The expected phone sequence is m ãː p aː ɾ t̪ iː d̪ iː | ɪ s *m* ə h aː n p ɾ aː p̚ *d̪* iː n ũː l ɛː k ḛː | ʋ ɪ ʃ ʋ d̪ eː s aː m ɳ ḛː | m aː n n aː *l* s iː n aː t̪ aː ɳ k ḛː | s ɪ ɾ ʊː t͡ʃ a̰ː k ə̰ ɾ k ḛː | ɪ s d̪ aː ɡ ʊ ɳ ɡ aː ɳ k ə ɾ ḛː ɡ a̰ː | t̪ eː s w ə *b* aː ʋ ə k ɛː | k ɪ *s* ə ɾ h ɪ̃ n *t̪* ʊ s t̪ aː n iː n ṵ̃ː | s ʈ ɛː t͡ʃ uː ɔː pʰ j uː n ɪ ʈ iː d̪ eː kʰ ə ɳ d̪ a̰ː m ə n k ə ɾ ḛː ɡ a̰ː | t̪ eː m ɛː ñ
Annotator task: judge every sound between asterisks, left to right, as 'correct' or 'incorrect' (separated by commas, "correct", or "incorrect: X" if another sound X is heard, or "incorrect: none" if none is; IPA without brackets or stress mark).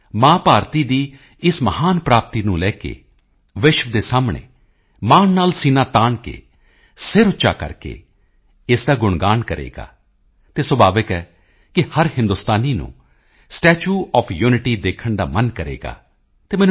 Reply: correct, incorrect: t̪, correct, correct, incorrect: h, incorrect: d̪